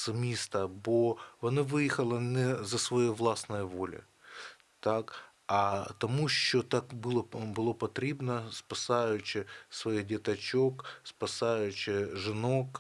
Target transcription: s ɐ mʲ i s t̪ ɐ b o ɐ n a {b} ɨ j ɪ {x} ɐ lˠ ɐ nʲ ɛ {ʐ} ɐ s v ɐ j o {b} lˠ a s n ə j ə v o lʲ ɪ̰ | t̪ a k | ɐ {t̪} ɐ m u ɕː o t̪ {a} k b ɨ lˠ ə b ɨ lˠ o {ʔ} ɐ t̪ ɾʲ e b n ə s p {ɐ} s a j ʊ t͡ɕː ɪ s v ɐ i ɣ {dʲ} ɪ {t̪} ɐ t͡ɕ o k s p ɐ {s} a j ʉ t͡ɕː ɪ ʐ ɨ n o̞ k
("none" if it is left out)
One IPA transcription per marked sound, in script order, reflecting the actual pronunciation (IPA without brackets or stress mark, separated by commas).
v, x, z, v, t̪, a, p, ɐ, dʲ, t̪, s